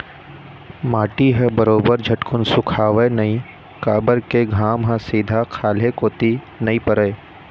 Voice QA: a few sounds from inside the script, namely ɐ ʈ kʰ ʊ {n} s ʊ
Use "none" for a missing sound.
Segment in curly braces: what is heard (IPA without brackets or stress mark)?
n